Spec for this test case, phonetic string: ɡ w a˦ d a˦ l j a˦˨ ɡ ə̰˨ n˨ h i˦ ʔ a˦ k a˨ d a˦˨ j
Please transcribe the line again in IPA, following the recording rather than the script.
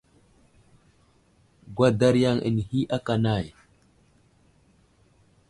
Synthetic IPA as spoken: ɡ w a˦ d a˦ ɾ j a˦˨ ŋ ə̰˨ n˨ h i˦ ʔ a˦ k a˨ n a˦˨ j